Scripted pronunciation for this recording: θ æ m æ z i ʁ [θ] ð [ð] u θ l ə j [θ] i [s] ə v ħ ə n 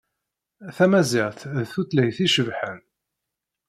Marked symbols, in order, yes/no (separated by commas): yes, no, yes, no